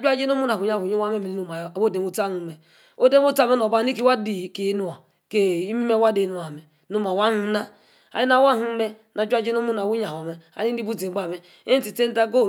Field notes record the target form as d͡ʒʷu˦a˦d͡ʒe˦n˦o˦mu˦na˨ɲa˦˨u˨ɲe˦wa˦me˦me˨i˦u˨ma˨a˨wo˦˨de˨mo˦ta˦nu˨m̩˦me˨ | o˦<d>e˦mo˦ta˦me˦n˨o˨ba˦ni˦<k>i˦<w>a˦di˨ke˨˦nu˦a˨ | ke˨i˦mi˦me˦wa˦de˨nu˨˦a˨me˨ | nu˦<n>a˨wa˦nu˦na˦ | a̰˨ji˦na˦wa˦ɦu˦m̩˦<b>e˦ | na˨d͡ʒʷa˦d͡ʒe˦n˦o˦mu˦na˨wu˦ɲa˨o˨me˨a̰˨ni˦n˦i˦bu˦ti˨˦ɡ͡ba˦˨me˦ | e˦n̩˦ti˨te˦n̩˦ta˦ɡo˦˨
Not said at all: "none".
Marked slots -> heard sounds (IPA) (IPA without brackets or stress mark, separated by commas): d, k, w, m, m